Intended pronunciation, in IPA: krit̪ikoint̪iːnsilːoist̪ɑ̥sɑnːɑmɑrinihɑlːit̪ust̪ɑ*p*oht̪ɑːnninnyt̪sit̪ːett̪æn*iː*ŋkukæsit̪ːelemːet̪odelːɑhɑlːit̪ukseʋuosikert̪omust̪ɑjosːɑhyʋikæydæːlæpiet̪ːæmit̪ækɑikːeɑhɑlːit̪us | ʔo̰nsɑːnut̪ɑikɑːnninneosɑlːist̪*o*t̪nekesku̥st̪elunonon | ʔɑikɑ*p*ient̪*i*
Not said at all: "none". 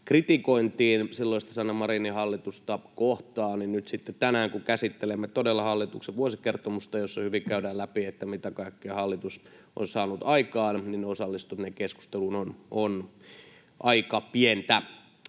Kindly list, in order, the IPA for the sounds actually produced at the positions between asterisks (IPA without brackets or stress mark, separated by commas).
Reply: k, æː, u, p, æ